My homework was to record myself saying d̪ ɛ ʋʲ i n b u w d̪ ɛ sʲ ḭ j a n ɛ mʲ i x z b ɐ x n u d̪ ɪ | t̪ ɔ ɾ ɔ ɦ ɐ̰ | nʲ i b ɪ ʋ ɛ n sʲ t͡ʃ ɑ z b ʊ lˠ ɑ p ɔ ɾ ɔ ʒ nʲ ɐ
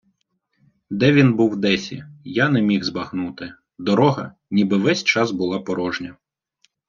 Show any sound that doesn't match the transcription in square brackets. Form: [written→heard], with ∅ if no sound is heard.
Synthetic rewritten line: d̪ ɛ ʋʲ i n b u w d̪ ɛ sʲ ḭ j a n ɛ mʲ i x z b ɐ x n u [d̪→t̪] ɪ | [t̪→d̪] ɔ ɾ ɔ ɦ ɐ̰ | nʲ i b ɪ ʋ ɛ [n→∅] sʲ t͡ʃ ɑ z b ʊ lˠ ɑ p ɔ ɾ ɔ ʒ nʲ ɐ